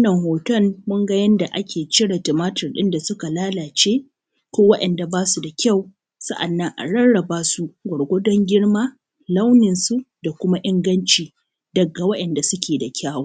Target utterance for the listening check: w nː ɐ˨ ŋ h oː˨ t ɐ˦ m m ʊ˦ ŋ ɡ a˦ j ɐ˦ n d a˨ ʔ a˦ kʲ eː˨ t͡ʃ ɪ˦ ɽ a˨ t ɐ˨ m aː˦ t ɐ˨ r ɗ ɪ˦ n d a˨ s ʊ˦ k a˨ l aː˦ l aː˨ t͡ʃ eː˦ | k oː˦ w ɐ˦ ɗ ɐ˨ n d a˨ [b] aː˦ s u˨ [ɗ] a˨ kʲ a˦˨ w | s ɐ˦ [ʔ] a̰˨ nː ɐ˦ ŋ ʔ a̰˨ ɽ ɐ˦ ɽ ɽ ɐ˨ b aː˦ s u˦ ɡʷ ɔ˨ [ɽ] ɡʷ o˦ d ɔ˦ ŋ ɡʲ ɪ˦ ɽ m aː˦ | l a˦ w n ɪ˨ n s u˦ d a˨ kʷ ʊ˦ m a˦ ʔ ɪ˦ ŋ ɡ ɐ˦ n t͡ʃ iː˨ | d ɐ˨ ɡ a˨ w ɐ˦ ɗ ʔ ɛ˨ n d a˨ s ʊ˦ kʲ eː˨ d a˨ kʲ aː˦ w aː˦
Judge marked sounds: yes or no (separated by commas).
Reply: yes, no, yes, yes